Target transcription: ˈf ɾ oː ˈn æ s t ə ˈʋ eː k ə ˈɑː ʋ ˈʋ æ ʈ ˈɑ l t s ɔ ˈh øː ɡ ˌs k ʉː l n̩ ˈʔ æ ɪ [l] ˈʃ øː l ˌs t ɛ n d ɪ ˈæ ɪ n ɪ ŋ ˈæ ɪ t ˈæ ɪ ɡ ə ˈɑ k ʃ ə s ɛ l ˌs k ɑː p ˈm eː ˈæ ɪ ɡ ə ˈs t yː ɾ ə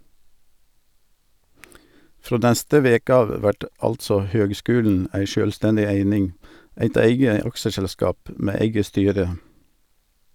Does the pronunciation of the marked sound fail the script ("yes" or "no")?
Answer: yes